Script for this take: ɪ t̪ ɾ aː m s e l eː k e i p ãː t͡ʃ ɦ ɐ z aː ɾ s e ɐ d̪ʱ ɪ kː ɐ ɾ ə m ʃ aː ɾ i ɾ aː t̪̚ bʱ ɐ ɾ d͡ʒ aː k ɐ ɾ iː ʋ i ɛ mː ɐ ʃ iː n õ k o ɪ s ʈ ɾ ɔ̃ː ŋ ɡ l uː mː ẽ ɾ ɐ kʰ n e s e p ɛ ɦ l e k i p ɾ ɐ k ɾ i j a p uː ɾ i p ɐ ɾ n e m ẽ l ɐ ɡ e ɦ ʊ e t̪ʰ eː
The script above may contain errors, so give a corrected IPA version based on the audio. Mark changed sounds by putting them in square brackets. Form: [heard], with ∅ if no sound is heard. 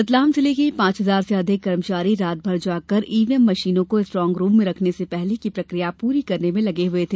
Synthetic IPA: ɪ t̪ [l] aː m s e l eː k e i p ãː t͡ʃ ɦ ɐ z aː ɾ s e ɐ d̪ʱ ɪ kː ɐ ɾ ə m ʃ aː ɾ i ɾ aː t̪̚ bʱ ɐ ɾ d͡ʒ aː k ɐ ɾ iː ʋ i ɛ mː ɐ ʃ iː n õ k o ɪ s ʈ ɾ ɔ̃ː ŋ ɡ [ɾ] uː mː ẽ ɾ ɐ kʰ n e s e p ɛ ɦ l e k i p ɾ ɐ k ɾ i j a p uː ɾ i [k] ɐ ɾ n e m ẽ l ɐ ɡ e ɦ ʊ e t̪ʰ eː